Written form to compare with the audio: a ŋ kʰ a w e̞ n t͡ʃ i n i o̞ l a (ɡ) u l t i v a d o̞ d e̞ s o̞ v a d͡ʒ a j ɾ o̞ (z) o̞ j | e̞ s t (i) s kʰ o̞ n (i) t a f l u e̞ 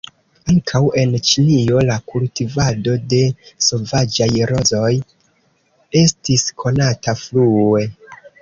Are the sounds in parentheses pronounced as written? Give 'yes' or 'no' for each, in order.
no, yes, yes, no

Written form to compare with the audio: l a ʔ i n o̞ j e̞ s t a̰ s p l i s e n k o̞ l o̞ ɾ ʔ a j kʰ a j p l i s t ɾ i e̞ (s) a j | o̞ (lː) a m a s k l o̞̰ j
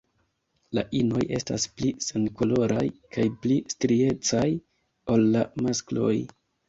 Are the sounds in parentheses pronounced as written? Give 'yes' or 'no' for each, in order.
no, yes

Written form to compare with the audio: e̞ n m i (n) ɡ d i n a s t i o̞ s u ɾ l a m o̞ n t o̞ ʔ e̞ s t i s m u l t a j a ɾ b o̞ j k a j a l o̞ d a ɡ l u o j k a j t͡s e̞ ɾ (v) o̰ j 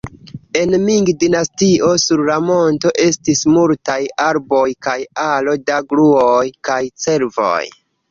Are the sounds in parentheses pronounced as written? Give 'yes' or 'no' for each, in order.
no, yes

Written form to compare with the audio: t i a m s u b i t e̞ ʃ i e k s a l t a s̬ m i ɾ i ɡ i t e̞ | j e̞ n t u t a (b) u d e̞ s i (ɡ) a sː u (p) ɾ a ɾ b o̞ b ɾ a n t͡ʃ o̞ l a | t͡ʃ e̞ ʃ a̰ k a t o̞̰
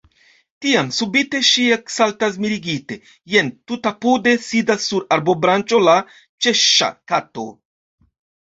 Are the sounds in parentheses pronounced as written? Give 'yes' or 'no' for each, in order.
no, no, no

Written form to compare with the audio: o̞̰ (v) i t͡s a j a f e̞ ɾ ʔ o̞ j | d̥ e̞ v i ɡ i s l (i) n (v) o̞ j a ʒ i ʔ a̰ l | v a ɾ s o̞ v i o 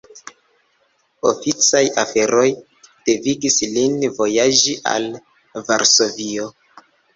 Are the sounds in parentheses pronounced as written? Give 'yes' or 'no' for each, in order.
no, yes, yes

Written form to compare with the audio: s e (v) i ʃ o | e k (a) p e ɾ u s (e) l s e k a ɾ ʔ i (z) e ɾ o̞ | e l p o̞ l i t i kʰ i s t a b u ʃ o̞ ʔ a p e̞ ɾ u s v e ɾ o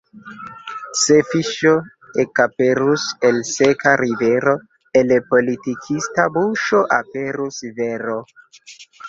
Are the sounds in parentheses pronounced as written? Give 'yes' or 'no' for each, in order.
no, yes, yes, no

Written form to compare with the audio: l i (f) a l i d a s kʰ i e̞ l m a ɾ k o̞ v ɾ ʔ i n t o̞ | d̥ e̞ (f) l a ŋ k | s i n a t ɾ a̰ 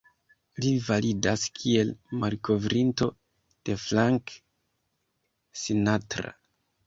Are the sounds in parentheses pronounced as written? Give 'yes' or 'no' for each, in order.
no, yes

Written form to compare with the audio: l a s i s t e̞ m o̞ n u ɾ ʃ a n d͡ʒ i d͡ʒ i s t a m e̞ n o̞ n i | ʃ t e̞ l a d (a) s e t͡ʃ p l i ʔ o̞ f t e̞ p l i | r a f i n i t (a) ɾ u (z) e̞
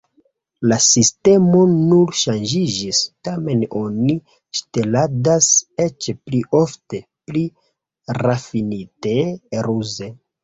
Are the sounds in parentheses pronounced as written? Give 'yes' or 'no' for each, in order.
yes, no, yes

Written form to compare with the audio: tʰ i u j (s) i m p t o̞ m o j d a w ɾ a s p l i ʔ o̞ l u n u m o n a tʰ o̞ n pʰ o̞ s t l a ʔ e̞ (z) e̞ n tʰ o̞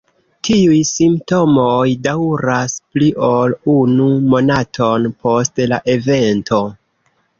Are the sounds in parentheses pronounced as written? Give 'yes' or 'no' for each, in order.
yes, no

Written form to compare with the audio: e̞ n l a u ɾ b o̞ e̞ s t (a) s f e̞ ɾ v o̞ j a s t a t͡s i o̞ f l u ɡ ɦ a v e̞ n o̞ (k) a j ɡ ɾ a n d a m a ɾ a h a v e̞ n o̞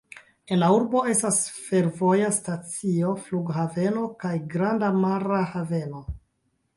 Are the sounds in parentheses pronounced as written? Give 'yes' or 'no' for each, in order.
yes, yes

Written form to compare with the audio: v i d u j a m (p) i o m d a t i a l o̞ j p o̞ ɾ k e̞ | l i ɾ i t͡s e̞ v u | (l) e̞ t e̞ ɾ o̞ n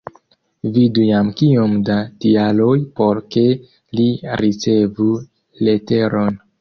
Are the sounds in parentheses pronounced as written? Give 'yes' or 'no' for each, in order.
no, yes

